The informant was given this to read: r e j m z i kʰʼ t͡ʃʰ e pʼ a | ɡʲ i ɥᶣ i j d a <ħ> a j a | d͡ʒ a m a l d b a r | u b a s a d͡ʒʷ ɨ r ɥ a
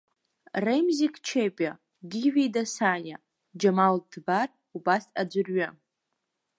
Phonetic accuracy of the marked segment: incorrect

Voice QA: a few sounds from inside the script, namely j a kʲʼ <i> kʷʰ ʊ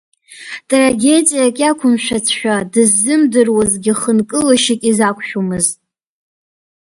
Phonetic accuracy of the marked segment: incorrect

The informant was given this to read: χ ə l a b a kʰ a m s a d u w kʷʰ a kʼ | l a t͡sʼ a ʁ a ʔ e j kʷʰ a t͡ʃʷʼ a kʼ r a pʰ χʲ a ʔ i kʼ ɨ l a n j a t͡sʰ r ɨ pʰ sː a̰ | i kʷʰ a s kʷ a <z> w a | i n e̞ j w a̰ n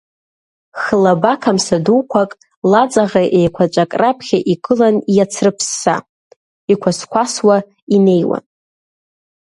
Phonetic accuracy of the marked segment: incorrect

